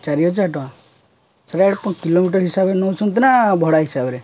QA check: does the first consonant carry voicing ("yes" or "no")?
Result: no